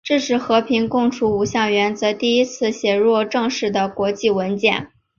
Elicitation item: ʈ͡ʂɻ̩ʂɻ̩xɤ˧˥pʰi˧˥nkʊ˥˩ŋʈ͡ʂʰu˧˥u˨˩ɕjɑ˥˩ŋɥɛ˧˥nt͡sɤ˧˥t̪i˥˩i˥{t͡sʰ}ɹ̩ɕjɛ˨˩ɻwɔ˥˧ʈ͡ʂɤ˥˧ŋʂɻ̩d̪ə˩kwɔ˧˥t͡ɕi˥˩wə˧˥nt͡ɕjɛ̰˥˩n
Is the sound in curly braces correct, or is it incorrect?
correct